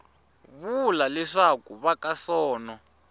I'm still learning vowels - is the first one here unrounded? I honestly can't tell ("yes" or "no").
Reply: no